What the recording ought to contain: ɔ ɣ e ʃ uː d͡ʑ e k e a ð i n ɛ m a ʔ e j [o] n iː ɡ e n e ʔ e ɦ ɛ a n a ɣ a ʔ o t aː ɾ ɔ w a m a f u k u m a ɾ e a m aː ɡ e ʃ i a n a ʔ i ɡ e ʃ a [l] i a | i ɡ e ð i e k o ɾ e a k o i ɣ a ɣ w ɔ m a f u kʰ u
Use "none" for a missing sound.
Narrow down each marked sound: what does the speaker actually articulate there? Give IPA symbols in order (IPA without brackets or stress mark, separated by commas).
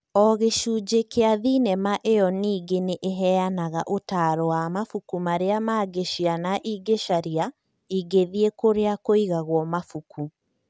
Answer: ɔ, ɾ